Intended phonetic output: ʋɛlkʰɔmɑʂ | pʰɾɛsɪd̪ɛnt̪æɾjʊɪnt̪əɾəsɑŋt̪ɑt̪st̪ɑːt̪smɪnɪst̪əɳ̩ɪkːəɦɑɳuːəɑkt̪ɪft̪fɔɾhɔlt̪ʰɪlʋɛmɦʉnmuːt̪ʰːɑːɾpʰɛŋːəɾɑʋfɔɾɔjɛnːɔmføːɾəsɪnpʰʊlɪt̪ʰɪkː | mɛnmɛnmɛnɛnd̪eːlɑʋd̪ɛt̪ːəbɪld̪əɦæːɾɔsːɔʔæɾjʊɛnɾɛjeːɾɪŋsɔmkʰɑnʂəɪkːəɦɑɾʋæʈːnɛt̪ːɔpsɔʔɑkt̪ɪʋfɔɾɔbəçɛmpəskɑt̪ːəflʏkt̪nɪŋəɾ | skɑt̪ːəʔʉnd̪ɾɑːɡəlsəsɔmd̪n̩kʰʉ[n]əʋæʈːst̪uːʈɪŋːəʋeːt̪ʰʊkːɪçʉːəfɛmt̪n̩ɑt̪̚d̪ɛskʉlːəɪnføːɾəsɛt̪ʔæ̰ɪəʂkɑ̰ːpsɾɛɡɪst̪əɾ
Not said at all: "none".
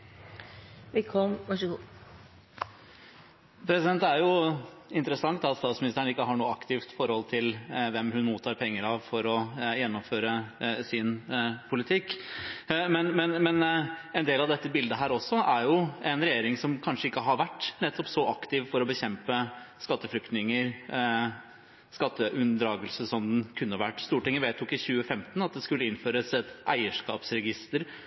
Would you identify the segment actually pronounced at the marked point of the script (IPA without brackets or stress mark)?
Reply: nː